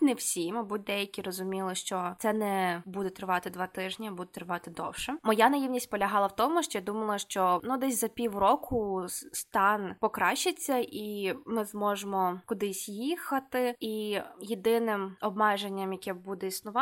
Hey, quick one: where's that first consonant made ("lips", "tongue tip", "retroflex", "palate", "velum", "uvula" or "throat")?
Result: tongue tip